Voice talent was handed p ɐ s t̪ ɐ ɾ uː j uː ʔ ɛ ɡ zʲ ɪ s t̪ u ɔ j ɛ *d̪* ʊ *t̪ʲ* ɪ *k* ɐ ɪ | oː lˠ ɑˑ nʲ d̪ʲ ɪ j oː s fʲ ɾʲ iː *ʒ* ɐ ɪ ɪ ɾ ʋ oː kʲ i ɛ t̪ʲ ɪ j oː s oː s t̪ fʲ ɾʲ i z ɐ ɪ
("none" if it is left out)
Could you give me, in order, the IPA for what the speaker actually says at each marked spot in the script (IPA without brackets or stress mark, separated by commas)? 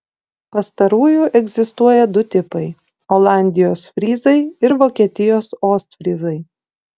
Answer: d̪, t̪ʲ, p, z